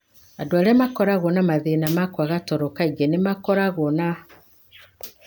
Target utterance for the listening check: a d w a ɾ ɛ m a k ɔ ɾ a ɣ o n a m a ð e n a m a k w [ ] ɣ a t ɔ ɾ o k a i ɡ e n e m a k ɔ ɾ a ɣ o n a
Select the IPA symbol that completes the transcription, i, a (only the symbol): a